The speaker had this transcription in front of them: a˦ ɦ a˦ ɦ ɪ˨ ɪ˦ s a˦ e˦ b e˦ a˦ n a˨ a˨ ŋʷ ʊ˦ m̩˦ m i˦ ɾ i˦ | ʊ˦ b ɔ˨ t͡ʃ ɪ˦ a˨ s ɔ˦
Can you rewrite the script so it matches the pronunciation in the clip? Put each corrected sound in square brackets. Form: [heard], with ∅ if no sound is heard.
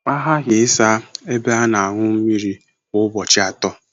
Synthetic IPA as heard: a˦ ɦ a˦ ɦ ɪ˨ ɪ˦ s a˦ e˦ b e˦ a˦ n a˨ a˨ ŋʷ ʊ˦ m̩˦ m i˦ ɾ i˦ | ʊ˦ b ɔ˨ t͡ʃ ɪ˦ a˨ [t] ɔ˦